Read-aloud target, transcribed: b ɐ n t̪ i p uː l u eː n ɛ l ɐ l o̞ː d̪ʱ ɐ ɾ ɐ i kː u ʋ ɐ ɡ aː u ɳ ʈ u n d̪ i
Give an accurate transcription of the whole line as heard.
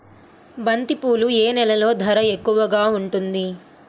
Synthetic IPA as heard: b ɐ n t̪ i p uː l u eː n ɛ l ɐ l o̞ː d̪ʱ ɐ ɾ ɐ e kː u ʋ ɐ ɡ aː u ɳ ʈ u n d̪ i